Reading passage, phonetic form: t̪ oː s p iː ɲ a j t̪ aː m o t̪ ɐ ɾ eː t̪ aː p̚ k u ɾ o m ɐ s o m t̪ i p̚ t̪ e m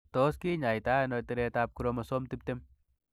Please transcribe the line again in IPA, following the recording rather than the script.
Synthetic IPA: t̪ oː s k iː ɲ a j t̪ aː n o t̪ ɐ ɾ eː t̪ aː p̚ k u ɾ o m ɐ s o m t̪ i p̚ t̪ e m

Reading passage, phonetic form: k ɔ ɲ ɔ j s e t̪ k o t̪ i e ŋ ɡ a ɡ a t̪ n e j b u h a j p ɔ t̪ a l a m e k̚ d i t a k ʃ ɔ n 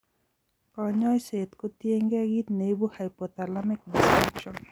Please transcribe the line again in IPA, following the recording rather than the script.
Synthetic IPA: k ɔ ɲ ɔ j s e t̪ k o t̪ i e ŋ ɡ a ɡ i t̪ n e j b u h a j p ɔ t̪ a l a m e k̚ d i s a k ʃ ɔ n

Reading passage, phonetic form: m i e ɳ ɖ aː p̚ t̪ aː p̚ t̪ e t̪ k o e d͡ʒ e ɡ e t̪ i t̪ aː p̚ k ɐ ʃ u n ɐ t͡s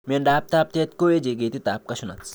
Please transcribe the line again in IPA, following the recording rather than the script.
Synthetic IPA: m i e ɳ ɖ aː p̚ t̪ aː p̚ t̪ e t̪ k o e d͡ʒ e ɡ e t̪ i t̪ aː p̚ k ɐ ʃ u n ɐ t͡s

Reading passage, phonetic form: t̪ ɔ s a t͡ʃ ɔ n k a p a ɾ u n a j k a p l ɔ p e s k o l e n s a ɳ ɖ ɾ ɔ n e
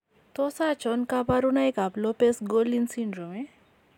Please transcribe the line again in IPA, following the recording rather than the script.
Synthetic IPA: t̪ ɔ s a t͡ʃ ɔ n k a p a ɾ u n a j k a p l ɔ p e s ɡ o l i n s i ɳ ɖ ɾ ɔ m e

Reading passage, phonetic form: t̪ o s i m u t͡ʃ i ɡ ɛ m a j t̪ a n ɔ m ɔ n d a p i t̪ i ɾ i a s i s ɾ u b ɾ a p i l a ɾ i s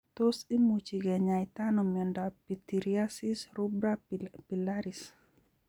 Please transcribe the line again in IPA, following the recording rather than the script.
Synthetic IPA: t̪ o s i m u t͡ʃ i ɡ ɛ ɲ a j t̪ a n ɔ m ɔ n d a p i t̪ i ɾ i a s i s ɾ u b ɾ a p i l a ɾ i s

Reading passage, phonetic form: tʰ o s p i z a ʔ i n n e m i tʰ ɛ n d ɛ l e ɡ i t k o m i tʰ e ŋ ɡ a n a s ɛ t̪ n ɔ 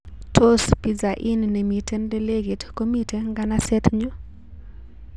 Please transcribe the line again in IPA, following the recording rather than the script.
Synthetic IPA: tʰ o s p i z a ʔ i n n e m i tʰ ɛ n d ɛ l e ɡ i t k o m i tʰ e ŋ ɡ a n a s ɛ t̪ ɲ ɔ

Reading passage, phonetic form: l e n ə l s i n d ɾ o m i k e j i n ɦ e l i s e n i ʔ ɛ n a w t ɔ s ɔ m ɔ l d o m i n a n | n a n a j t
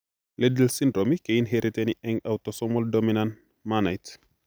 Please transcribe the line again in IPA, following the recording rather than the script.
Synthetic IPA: l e d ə l s i n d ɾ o m i k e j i n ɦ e ɾ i t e n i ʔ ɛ ŋ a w t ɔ s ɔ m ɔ l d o m i n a n | m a n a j t

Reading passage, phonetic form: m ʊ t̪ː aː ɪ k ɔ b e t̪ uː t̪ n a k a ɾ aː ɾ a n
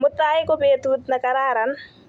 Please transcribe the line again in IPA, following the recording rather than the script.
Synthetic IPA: m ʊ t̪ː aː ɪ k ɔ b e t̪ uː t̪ n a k a ɾ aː ɾ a n

